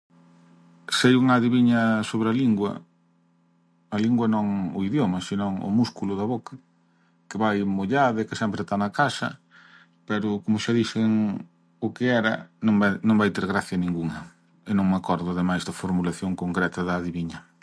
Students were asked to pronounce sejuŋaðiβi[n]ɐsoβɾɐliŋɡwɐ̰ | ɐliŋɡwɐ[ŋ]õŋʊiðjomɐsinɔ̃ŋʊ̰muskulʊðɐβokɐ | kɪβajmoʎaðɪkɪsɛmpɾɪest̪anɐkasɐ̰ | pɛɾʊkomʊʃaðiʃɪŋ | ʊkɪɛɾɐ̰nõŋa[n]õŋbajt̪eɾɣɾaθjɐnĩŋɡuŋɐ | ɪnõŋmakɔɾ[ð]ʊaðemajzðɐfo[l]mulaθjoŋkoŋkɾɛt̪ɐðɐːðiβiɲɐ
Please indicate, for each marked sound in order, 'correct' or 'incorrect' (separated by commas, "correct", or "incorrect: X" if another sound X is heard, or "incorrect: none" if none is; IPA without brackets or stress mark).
incorrect: ɲ, incorrect: n, correct, correct, incorrect: ɾ